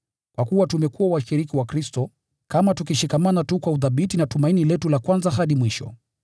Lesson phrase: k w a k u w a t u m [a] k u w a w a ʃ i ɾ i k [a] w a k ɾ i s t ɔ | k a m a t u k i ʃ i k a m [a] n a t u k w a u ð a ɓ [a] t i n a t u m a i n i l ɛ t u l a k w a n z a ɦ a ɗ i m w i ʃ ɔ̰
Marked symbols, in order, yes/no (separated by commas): no, no, yes, no